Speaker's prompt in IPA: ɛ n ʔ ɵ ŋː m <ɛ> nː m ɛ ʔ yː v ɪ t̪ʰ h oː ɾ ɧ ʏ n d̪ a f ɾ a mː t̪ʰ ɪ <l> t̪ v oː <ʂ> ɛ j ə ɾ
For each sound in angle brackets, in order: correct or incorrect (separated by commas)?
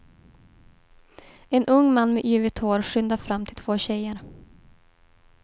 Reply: incorrect, correct, incorrect